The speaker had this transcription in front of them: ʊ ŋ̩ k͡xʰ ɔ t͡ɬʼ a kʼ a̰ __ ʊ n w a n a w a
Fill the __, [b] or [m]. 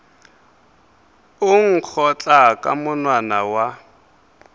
m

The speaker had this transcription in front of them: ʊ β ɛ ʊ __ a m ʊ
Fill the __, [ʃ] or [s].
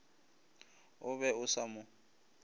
s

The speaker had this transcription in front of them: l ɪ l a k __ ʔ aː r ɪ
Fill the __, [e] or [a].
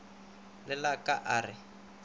a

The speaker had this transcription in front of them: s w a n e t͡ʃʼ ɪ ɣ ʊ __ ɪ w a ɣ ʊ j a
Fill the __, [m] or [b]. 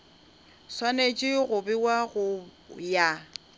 b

